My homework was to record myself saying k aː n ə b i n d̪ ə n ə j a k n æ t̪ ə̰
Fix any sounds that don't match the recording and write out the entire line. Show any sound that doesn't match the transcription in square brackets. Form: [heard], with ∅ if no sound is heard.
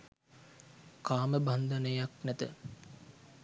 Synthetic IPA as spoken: k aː [m] ə b [a] n d̪ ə n ə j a k n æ t̪ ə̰

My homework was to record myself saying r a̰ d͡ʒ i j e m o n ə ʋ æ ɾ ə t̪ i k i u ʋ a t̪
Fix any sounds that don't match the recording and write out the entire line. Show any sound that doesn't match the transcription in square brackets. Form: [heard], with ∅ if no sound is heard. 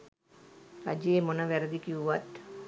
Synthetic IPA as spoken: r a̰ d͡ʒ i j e m o n ə ʋ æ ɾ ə [d̪] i k i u ʋ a t̪

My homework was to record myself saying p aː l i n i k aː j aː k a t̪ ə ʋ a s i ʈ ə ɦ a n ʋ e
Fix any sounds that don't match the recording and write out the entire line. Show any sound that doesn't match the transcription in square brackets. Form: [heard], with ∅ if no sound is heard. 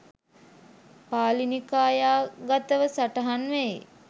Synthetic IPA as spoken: p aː l i n i k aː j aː [ɡ] a t̪ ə ʋ [ə] s [a] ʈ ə ɦ a n ʋ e

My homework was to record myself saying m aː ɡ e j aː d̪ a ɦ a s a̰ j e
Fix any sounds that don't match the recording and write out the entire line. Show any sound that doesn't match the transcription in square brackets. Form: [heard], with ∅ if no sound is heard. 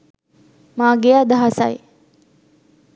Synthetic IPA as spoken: m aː ɡ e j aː d̪ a ɦ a s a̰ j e

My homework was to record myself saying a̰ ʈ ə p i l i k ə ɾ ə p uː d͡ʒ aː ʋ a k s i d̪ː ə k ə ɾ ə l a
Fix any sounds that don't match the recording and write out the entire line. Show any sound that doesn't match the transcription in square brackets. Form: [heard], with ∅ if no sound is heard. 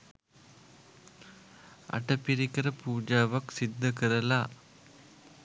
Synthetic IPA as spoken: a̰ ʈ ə p i [ɾ] i k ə ɾ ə p uː d͡ʒ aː ʋ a k s i d̪ː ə k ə ɾ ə l a

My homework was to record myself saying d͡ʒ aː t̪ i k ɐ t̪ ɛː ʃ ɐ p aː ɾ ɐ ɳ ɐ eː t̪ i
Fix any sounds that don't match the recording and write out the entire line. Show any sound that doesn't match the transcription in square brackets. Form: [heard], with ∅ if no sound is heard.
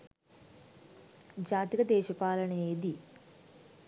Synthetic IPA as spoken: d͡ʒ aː t̪ i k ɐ [d̪] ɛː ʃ ɐ p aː [l] ɐ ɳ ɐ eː [d̪] i

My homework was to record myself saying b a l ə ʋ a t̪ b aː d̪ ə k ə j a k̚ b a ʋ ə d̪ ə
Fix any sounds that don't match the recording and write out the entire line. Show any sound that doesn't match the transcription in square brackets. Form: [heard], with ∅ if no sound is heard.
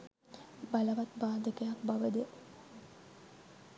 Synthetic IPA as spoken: b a l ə ʋ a t̪ b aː d̪ ə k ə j a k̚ b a ʋ ə d̪ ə

